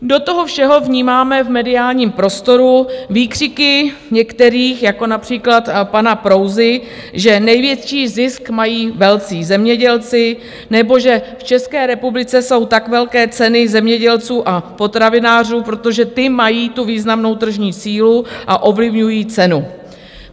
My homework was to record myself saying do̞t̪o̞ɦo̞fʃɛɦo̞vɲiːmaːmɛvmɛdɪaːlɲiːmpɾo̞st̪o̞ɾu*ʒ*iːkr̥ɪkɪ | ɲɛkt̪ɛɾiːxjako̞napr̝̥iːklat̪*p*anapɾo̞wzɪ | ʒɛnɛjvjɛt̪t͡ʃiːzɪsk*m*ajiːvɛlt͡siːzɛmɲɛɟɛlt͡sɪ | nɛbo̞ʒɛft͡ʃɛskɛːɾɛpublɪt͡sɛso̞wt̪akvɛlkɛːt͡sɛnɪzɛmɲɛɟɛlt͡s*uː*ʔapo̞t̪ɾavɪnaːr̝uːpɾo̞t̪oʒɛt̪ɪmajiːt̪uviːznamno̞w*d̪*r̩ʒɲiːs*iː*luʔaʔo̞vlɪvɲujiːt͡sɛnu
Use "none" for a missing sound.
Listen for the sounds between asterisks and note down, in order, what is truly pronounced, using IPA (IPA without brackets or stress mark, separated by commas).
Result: v, p, m, uː, t̪, iː